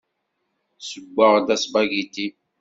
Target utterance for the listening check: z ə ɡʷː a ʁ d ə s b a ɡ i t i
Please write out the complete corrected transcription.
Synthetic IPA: s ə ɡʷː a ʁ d a s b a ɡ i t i